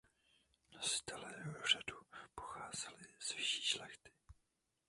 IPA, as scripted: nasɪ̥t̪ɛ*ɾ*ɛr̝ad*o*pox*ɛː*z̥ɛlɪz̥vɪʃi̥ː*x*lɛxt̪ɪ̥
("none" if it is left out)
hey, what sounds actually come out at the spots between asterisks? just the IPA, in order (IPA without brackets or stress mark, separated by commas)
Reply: l, u, aː, ʃ